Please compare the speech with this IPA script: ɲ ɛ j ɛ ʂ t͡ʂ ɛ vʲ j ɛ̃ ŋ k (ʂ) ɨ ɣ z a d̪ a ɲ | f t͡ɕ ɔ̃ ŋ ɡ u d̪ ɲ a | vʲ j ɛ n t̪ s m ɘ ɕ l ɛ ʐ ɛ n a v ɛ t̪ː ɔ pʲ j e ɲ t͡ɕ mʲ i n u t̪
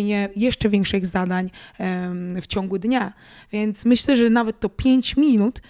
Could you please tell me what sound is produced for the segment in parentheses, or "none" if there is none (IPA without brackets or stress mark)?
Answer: ʂ